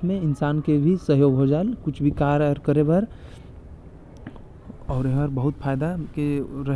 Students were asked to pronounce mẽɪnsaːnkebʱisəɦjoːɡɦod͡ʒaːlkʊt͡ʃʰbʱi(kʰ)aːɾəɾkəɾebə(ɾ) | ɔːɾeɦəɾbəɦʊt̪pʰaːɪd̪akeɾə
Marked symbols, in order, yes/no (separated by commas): no, yes